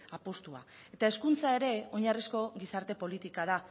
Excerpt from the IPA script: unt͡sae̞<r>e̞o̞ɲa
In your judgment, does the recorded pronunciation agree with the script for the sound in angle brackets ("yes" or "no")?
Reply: no